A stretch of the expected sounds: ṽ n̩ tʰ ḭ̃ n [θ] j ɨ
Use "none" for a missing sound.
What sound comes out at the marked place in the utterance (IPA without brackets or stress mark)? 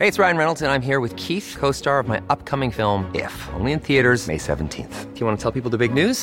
θ